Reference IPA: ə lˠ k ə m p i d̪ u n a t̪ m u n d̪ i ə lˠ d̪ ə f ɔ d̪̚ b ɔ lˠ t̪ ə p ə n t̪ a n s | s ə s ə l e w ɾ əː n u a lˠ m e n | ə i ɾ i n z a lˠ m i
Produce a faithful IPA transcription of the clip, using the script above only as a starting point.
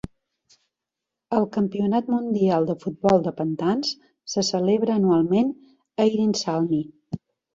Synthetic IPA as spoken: ə lˠ k ə m p i u n a t̪ m u n d̪ i a lˠ d̪ ə f u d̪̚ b ɔ lˠ d̪ ə p ə n t̪ a n s | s ə s ə l e β ɾ əː n u a lˠ m e n | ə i ɾ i n s a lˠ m i